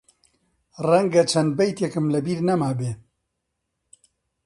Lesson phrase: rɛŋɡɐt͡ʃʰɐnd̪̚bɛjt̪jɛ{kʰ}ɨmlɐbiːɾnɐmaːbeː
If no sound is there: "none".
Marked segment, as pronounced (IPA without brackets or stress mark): k